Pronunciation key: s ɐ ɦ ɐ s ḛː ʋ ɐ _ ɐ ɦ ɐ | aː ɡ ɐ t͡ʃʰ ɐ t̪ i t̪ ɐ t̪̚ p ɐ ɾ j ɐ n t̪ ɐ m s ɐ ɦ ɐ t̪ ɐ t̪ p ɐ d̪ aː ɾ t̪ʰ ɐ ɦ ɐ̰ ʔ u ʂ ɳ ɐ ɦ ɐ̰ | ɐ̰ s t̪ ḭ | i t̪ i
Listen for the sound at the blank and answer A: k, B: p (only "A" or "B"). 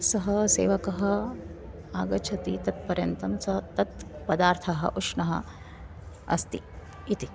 A